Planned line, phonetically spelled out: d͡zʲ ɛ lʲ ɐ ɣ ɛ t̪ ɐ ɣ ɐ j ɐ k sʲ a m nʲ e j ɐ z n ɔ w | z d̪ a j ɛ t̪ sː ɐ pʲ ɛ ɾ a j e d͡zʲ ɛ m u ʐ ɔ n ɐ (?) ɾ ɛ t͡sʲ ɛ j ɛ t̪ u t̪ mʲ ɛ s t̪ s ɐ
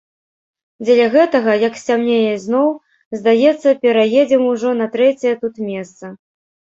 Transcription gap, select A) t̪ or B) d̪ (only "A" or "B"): A